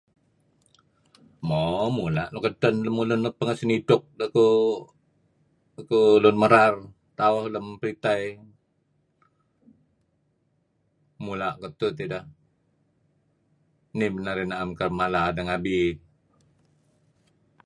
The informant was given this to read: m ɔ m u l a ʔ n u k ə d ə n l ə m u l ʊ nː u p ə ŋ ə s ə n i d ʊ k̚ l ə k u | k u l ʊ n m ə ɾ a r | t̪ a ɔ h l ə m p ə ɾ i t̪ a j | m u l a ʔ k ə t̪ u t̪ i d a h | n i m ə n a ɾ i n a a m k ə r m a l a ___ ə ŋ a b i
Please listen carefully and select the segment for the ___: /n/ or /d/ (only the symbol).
d